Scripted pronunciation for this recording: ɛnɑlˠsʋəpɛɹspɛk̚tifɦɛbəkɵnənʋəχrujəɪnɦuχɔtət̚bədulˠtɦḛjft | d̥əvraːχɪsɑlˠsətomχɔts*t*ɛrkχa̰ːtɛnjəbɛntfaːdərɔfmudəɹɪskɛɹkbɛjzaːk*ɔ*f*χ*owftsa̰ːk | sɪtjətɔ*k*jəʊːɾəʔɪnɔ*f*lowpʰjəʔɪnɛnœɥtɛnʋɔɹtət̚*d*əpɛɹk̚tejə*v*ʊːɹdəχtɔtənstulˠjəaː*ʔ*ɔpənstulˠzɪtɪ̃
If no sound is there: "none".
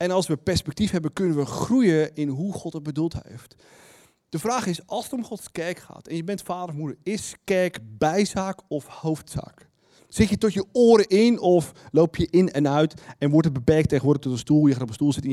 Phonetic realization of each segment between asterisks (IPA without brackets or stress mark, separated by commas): k, ɔ, h, t, f, b, ʋ, t